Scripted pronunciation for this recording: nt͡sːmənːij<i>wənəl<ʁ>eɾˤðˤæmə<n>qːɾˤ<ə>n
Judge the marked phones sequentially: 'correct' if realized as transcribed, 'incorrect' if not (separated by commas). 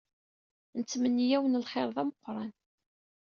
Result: incorrect, incorrect, incorrect, incorrect